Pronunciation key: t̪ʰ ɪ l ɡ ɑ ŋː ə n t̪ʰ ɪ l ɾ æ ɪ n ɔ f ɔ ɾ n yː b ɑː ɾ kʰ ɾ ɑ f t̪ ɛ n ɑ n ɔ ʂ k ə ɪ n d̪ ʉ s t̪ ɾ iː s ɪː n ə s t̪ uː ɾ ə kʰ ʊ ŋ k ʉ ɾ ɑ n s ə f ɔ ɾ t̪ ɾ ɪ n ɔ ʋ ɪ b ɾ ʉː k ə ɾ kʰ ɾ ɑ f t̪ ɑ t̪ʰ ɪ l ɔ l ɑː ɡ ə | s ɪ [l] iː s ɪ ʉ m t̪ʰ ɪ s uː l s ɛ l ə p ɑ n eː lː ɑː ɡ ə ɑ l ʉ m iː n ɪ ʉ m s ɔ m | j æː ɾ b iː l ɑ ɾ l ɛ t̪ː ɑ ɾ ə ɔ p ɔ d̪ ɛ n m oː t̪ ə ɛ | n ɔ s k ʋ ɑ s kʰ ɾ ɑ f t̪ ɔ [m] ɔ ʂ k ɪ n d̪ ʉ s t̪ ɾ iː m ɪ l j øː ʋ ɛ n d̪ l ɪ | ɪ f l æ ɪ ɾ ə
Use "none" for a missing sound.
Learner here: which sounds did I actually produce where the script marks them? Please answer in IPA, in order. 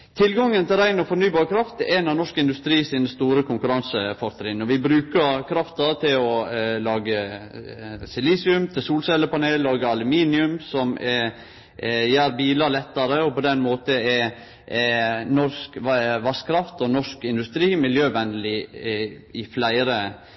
l, n

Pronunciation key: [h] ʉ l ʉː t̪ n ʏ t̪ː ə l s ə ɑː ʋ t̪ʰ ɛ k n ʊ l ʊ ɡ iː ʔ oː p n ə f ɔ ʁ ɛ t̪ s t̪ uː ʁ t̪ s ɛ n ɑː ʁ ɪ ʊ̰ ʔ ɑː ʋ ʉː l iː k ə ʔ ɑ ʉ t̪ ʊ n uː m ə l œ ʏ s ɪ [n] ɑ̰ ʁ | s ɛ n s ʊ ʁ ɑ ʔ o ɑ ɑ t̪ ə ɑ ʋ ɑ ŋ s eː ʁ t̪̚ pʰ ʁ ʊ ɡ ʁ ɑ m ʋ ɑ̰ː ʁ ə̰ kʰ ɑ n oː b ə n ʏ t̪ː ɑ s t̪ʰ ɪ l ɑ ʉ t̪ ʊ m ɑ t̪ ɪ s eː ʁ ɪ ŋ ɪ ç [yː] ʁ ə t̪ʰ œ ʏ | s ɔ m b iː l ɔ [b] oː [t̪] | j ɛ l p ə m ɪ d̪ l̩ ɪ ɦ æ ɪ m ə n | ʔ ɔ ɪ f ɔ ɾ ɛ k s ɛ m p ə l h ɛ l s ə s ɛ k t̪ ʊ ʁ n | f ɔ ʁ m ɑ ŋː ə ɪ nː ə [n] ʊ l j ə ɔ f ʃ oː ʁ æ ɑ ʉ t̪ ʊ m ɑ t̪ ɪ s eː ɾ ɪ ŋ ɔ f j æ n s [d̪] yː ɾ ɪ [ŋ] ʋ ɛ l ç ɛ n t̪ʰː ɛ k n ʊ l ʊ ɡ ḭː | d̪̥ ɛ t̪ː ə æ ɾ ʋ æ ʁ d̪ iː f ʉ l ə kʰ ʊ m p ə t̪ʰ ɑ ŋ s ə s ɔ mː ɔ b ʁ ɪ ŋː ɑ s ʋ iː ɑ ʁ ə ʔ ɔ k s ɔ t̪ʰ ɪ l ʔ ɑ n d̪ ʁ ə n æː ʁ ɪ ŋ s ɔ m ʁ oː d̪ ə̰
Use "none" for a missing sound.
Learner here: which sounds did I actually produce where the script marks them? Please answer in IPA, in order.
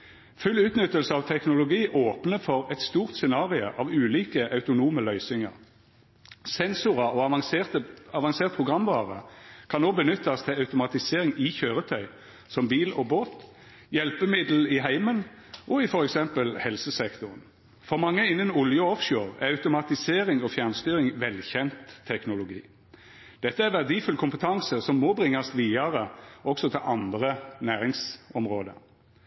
f, ŋ, øː, b, t̪, n, t̪, ŋ

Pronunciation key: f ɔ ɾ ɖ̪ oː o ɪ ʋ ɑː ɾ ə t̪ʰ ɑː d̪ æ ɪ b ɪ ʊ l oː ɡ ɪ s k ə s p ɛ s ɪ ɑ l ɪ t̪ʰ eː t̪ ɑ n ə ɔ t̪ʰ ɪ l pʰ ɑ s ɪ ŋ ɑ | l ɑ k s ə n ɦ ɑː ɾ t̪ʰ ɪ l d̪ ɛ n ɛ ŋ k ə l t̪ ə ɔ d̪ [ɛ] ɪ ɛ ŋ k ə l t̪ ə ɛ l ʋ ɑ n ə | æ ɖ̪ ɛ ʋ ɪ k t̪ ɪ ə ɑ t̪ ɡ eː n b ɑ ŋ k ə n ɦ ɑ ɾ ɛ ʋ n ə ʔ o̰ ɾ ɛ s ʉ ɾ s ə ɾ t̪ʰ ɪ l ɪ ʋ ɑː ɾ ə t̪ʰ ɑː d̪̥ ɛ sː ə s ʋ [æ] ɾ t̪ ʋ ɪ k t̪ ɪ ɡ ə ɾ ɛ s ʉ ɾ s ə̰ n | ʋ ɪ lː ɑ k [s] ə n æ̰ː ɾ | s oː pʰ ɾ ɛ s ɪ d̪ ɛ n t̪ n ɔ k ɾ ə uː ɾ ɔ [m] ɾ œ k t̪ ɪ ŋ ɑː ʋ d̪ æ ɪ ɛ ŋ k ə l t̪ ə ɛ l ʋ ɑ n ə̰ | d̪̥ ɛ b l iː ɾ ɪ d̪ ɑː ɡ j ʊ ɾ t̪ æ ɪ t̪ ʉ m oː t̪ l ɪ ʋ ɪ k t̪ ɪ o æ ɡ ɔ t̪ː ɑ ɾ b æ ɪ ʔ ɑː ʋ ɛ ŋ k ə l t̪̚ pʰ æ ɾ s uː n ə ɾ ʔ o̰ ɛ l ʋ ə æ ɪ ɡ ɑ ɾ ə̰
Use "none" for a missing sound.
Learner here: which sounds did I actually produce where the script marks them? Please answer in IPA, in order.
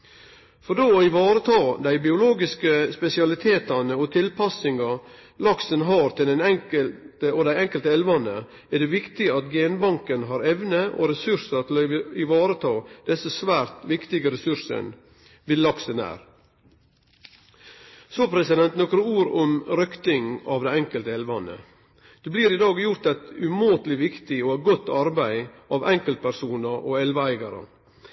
æ, æː, s, m

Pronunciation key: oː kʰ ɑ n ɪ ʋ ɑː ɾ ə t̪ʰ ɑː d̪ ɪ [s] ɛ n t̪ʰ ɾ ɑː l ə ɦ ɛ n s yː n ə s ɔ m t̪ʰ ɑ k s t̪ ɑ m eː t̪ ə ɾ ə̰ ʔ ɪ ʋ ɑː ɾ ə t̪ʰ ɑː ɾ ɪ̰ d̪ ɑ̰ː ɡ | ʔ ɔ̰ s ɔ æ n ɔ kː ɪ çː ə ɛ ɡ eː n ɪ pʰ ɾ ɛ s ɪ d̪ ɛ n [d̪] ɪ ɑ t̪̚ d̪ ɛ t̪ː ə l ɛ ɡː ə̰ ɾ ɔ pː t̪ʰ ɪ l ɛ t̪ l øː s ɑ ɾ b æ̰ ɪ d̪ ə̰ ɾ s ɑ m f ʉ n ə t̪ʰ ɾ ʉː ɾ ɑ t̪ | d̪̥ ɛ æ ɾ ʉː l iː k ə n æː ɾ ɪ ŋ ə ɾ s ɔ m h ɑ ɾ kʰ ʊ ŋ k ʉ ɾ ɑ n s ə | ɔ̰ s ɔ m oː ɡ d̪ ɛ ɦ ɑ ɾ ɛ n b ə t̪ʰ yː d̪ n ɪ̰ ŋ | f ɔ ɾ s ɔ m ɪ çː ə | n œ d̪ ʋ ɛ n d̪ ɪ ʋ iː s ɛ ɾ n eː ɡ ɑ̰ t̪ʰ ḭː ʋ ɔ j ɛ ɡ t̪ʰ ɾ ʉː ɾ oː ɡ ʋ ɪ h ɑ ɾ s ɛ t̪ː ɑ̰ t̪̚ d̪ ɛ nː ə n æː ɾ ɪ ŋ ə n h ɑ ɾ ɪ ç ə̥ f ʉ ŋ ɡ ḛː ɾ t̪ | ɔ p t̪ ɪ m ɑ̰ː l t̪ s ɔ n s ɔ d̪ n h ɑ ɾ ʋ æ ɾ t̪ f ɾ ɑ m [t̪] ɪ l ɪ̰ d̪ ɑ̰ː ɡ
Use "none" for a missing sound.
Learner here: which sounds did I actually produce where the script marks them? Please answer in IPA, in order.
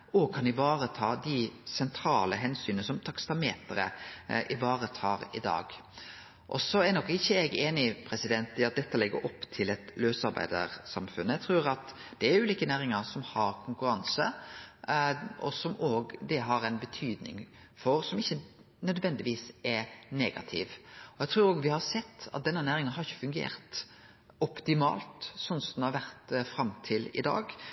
s, t̪, t̪ʰ

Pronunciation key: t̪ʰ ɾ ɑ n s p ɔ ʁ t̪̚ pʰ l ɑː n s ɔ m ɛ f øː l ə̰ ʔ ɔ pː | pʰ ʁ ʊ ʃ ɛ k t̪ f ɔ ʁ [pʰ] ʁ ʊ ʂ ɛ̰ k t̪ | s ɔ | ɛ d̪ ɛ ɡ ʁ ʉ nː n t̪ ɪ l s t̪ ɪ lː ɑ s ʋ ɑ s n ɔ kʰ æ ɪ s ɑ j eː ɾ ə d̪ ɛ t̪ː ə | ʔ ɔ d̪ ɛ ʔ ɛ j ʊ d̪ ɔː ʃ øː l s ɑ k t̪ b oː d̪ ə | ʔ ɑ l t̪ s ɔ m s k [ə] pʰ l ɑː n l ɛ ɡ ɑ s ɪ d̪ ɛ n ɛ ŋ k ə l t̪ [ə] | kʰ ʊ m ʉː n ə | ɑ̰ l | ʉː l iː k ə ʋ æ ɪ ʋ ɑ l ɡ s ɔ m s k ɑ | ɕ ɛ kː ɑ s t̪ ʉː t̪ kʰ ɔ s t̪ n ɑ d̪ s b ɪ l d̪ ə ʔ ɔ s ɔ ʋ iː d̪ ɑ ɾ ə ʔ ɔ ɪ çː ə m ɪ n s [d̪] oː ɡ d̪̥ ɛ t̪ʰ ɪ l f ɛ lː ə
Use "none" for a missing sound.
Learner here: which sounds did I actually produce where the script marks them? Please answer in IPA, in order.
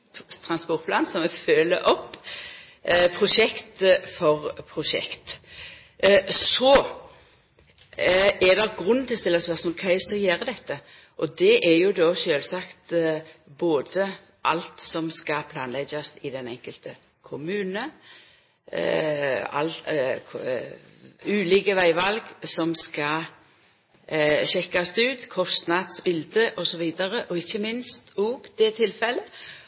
pʰ, ɑ, ə, t̪

